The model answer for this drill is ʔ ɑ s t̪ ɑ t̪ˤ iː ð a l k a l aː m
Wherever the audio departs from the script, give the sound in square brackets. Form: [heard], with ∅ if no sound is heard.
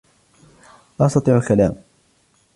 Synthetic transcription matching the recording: ʔ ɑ s t̪ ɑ t̪ˤ iː [ʕ] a l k a l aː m